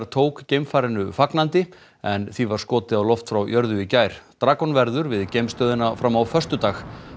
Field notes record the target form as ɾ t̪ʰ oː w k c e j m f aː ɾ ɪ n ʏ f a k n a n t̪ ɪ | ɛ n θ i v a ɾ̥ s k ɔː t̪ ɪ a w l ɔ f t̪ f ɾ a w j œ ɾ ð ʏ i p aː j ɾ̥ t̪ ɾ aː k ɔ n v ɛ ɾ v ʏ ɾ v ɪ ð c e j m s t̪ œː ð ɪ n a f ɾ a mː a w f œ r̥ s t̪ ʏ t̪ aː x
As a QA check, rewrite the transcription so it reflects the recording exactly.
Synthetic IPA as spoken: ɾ t̪ʰ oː w k c e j m f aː ɾ ɪ n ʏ f a k n a n t̪ ɪ | ɛ n θ i v a ɾ̥ s k ɔː t̪ ɪ a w l ɔ f t̪ f ɾ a w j œ ɾ ð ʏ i c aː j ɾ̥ t̪ ɾ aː k ɔ n v ɛ ɾ ð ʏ ɾ v ɪ ð c e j m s t̪ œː ð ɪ n a f ɾ a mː a w f œ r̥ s t̪ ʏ t̪ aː x